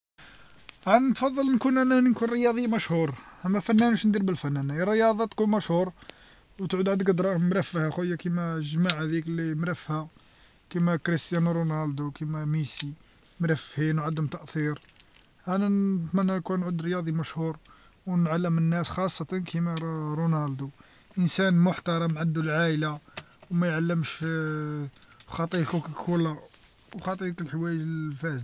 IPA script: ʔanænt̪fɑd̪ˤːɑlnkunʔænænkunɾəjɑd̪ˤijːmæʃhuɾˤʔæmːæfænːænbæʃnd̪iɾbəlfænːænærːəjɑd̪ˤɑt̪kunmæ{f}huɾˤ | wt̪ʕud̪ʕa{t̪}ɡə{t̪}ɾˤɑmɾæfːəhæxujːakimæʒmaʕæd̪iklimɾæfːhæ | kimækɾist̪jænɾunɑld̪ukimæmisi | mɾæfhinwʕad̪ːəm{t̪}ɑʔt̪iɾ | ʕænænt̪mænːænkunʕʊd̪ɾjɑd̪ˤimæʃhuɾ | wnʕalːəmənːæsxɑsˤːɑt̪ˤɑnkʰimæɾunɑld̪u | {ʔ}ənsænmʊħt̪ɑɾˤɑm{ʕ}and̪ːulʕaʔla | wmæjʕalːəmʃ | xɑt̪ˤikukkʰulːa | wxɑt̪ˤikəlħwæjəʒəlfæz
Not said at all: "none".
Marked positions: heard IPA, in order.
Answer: ʃ, d̪, d̪, t̪, ʔ, ʕ

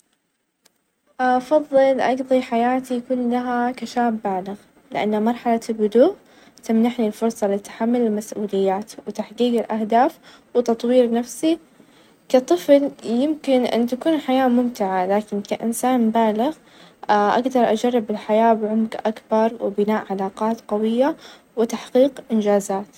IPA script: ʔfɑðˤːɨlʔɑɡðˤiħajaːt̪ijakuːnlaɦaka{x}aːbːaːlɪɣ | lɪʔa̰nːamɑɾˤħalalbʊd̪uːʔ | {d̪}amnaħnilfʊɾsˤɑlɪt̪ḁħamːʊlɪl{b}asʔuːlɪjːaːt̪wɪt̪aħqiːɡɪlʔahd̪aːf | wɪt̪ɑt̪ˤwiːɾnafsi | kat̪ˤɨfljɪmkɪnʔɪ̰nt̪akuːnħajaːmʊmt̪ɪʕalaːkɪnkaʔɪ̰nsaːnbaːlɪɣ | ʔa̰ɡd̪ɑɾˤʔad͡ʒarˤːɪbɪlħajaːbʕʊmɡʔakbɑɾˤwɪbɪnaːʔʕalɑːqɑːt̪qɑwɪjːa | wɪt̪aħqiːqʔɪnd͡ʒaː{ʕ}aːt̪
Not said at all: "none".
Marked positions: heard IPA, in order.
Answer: ʃ, t̪, m, z

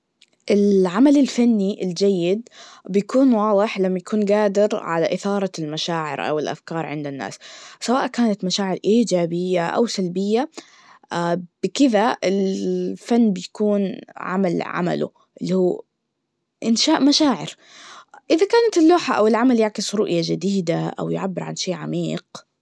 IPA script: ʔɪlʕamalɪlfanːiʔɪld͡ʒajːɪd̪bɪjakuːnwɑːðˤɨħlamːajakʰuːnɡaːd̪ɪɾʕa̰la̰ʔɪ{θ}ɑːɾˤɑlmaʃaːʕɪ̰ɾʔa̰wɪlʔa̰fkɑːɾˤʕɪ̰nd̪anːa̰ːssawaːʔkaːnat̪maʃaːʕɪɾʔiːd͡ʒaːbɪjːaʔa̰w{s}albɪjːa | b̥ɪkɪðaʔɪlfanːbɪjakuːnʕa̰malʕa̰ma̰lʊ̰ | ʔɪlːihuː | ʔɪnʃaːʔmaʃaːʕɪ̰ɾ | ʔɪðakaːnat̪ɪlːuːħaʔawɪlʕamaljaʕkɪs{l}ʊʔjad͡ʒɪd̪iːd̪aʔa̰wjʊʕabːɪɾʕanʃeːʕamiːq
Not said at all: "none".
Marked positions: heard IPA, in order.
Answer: θ, s, ɾ

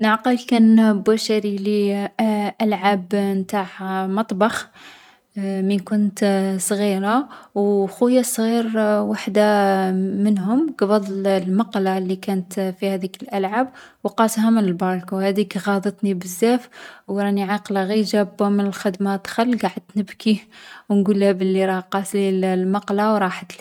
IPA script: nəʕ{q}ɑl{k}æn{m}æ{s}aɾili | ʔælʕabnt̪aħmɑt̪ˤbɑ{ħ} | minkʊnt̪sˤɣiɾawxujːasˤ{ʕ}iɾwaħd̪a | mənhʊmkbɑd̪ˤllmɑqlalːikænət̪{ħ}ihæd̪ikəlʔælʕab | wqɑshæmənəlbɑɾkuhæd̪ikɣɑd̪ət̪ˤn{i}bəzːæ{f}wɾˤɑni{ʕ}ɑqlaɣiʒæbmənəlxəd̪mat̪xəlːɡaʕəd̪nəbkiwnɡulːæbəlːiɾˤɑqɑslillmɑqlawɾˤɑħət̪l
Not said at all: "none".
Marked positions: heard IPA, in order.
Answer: q, k, b, ʃ, x, ɣ, f, i, f, ʕ

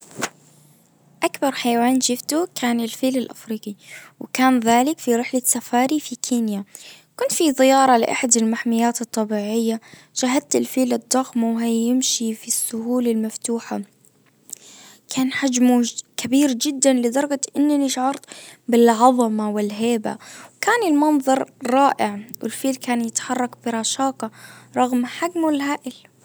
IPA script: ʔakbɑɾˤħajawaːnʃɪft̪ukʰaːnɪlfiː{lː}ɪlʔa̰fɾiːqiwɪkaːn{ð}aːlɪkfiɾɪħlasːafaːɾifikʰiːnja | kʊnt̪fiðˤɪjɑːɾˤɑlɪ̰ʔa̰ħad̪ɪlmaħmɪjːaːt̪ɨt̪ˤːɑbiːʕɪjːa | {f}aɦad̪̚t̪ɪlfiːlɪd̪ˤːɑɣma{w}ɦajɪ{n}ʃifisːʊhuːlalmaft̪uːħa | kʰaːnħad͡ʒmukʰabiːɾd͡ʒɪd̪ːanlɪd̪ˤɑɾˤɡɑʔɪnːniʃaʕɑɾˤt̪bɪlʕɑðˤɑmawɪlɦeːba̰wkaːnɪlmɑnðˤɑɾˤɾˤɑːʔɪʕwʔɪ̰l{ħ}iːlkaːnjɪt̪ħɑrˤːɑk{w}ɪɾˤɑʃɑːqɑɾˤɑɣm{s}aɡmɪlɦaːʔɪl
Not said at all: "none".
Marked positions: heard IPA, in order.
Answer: l, ð, ʃ, w, m, f, b, ħ

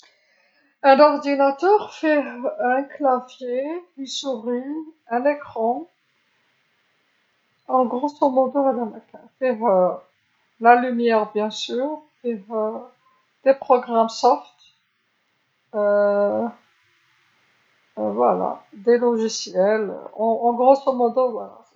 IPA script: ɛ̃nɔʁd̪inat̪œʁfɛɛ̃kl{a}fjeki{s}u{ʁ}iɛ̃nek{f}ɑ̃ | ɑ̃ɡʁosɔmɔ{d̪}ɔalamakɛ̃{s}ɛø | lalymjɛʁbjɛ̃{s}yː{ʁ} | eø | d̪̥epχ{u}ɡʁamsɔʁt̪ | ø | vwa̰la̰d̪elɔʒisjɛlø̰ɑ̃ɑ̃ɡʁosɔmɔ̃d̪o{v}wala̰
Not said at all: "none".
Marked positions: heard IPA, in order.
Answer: a, s, ʁ, χ, d̪, f, s, ʁ, ɔ, v

